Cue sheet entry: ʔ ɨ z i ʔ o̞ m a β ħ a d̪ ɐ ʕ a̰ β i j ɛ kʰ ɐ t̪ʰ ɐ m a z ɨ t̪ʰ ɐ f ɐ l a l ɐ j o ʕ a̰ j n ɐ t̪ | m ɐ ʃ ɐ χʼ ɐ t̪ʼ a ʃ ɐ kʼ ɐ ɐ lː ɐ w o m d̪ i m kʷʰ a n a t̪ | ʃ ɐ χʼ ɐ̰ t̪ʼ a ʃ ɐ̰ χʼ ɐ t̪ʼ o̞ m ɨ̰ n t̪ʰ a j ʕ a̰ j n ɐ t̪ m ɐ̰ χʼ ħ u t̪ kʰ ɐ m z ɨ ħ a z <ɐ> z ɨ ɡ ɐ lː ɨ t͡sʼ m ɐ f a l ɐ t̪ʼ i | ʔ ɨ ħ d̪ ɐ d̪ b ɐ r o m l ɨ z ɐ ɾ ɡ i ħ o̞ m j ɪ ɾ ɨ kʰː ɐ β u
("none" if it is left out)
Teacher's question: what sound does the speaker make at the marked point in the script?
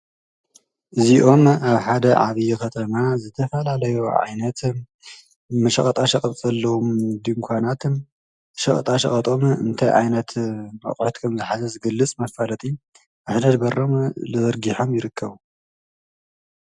ɐ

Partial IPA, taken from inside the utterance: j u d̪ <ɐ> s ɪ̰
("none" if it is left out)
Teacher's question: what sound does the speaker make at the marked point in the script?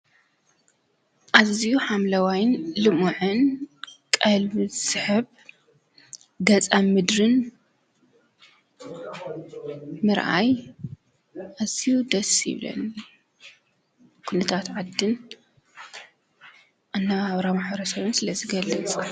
ɐ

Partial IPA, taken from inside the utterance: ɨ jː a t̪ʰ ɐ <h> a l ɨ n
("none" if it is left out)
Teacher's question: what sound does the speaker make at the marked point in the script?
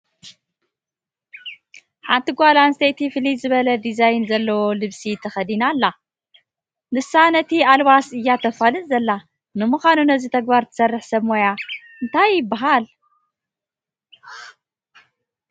f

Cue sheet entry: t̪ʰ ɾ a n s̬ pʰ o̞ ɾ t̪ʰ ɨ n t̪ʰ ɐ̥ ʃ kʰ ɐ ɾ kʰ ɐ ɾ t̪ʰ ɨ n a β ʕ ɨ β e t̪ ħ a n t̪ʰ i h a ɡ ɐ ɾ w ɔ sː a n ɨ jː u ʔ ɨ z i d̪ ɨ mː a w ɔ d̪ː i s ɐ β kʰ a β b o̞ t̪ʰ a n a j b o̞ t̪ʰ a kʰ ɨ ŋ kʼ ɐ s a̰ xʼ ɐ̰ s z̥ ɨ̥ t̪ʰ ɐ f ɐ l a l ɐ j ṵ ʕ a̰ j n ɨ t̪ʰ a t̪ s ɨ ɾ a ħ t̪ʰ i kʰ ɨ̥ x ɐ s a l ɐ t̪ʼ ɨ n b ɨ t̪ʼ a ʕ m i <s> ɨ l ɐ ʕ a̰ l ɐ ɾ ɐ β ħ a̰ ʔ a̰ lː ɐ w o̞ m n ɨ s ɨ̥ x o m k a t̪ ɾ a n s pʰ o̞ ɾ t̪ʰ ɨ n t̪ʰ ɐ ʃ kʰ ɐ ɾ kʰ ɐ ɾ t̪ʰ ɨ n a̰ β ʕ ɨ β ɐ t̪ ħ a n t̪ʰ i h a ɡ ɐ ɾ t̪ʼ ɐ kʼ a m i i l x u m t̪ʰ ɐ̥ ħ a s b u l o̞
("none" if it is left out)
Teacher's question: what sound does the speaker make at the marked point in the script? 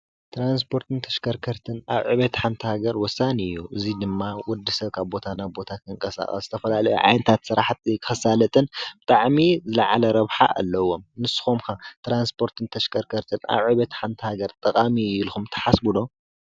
z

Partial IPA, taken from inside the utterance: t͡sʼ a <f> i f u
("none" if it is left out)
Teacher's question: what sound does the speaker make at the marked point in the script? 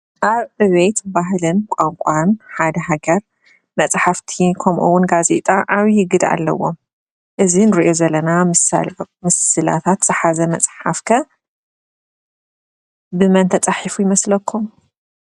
ħ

